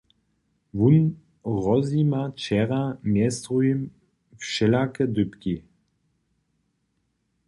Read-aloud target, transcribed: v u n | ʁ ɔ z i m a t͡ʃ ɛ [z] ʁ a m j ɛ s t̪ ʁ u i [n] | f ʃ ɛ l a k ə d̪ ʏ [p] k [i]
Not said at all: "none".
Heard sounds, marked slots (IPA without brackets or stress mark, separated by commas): none, m, p, i